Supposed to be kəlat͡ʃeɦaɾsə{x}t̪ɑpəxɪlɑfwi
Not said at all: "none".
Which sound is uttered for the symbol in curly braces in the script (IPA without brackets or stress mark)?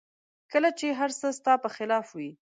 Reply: s